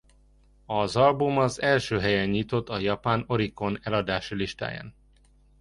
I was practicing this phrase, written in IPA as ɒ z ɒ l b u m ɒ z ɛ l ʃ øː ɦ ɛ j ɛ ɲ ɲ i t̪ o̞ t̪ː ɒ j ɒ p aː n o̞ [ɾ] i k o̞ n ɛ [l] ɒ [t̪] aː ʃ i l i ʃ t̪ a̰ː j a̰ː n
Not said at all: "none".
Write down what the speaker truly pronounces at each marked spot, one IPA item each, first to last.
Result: ɾ, l, d̪

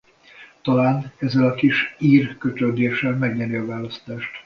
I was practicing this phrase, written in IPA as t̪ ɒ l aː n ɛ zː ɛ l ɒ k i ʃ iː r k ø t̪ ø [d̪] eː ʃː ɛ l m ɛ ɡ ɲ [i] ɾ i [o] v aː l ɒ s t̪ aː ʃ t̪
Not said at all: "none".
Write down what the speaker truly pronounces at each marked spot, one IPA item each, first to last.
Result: d̪, ɛ, ɒ

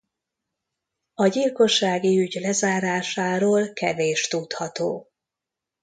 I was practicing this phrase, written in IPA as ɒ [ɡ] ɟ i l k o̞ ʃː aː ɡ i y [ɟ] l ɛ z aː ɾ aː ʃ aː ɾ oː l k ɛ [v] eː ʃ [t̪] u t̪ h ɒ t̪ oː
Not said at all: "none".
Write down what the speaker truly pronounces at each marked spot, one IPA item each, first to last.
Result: none, ɟ, v, t̪

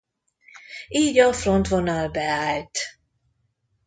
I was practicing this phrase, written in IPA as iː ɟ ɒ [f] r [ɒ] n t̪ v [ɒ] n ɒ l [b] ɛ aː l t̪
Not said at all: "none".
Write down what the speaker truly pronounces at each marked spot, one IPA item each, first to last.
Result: f, o, o, b

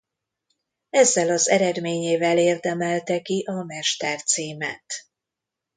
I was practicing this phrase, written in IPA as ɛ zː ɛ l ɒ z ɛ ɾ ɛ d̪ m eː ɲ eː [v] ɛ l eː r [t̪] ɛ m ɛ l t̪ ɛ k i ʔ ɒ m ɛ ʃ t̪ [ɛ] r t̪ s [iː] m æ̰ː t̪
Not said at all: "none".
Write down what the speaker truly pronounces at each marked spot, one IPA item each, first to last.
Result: v, d̪, ɛ, iː

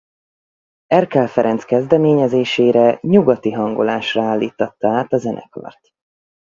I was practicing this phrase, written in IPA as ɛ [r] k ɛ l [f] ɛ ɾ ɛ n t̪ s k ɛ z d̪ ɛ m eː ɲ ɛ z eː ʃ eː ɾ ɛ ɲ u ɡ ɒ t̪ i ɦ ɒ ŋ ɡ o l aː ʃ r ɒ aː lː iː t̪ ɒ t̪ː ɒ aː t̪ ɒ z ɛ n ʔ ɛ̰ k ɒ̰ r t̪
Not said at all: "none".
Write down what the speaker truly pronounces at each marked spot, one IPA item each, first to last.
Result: r, f

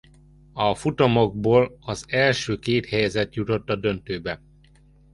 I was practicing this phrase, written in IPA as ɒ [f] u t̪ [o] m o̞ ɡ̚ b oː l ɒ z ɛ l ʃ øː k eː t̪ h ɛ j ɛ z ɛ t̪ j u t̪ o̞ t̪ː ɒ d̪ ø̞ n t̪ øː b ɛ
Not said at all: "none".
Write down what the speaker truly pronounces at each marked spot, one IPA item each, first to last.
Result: f, o

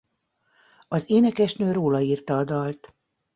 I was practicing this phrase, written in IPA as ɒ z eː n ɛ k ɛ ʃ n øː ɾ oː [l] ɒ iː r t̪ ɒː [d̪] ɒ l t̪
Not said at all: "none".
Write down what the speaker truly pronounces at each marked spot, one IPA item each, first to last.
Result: l, d̪

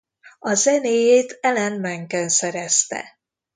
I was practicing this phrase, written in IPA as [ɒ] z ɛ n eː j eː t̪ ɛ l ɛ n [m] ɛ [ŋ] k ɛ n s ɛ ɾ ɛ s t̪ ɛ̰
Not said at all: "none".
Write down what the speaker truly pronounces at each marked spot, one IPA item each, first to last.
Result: ɒ, m, ŋ

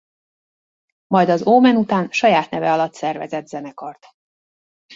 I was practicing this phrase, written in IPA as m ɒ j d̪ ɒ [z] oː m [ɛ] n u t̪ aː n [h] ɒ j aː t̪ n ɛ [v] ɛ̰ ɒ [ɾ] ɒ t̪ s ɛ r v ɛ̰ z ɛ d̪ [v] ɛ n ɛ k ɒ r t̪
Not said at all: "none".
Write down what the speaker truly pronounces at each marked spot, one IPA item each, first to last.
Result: z, ɛ, ʃ, v, l, z

